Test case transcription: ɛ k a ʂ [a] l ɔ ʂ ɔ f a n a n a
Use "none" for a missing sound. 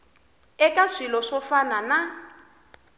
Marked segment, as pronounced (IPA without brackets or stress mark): i